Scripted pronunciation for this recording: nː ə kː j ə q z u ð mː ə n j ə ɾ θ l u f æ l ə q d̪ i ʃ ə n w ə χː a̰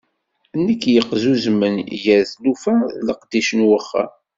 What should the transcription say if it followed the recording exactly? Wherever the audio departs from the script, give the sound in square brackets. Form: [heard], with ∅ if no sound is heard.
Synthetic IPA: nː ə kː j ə q z u [z] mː ə n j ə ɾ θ l u f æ l ə q d̪ i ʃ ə n w ə χː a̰